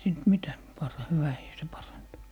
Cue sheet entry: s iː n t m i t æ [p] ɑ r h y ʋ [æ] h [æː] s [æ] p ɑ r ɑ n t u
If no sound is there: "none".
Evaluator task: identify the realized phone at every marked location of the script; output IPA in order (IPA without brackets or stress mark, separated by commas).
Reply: p, æ, iː, e